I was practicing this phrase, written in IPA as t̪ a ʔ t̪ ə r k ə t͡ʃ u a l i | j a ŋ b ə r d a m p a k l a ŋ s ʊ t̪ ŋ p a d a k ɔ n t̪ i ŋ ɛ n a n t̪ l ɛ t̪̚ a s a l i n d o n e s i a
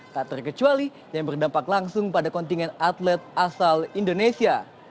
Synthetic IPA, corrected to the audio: t̪ a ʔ t̪ ə r k ə t͡ʃ u a l i | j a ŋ b ə r d a m p a k l a ŋ s ʊ ŋ p a d a k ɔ n t̪ i ŋ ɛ n a t̪ l ɛ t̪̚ a s a l i n d o n e s i a